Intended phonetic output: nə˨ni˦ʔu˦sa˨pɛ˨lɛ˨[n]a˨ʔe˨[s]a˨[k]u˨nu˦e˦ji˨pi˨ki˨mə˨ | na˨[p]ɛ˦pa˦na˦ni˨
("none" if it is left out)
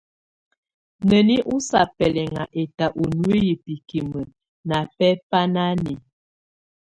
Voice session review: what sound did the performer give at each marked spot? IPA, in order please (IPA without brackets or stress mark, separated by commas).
ŋ, t, ʔ, p